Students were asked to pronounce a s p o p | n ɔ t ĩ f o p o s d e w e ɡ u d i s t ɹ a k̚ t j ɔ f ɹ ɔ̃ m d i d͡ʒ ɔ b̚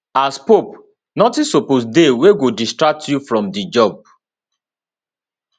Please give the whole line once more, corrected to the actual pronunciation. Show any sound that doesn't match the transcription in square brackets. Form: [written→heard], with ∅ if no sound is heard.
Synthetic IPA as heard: a s p o p | n ɔ t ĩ [f→s] o p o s d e w e ɡ [u→o] d i s t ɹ a k̚ t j [ɔ→u] f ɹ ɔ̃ m d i d͡ʒ ɔ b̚